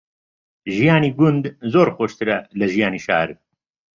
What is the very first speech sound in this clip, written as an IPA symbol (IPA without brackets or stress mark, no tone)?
ʒ